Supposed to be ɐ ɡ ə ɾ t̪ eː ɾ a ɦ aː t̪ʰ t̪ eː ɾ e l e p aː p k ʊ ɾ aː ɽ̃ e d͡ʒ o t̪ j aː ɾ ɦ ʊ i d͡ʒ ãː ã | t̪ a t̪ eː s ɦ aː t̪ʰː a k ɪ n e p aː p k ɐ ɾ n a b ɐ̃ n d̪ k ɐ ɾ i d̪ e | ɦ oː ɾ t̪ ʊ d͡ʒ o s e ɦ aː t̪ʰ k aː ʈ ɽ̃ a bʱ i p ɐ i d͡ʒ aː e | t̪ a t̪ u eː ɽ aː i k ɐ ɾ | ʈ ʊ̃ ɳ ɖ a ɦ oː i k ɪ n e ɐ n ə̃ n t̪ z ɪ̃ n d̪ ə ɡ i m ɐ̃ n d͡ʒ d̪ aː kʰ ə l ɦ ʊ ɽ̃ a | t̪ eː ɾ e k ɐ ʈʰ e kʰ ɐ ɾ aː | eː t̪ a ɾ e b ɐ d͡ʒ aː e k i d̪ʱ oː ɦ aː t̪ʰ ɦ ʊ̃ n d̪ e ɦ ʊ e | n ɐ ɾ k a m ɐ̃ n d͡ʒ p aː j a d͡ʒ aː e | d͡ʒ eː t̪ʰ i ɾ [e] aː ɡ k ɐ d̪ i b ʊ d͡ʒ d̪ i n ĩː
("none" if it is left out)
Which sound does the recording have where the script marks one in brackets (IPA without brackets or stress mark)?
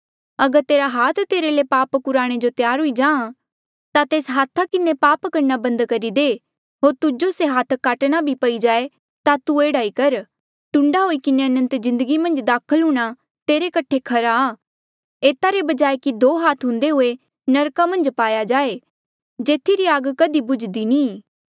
i